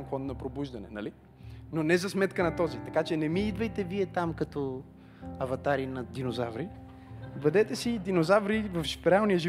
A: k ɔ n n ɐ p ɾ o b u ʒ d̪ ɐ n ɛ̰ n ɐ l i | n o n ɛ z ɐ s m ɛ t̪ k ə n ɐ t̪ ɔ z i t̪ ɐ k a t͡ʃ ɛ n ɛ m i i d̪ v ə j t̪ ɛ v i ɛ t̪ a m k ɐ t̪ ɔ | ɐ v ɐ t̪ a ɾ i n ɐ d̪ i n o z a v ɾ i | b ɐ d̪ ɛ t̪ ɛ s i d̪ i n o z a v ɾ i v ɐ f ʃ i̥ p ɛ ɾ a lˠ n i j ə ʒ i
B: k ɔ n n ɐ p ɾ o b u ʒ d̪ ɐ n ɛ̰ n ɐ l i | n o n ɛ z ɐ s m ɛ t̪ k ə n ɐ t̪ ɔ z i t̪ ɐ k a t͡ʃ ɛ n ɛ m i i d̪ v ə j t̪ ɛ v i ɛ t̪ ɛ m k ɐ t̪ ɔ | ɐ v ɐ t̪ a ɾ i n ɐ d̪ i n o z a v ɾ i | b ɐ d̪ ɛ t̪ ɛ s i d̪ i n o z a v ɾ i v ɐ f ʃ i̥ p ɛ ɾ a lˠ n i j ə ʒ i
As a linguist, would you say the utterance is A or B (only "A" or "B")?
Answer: A